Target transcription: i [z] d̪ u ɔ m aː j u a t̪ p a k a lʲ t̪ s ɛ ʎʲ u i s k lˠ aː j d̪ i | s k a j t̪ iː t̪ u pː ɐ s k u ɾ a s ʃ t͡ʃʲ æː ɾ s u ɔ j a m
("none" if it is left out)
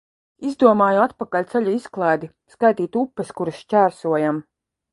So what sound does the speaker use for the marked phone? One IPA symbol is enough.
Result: z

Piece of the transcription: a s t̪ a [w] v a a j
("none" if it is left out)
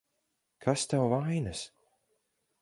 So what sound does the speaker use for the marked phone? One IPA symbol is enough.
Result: w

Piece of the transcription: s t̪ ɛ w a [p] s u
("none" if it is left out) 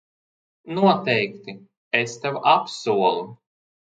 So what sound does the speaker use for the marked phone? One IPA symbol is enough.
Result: p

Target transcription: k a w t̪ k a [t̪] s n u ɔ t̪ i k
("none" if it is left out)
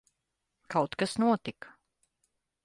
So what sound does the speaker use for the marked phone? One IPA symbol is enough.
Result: none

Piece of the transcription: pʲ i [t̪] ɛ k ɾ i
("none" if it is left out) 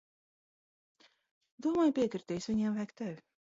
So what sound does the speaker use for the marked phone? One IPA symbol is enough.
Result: none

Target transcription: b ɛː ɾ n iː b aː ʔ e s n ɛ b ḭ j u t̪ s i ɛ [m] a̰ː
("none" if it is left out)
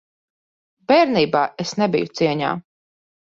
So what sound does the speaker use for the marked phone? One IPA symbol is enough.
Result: ɲ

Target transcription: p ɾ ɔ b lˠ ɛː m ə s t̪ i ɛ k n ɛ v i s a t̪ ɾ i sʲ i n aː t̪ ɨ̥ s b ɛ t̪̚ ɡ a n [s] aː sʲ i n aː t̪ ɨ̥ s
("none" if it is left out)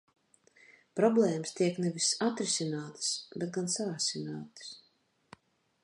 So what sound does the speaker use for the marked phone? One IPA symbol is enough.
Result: s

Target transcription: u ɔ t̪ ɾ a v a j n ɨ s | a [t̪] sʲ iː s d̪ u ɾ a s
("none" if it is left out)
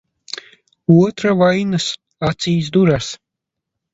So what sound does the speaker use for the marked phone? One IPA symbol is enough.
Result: t̪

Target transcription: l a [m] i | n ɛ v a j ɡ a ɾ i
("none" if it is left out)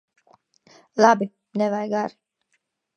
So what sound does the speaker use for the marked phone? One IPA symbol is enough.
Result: b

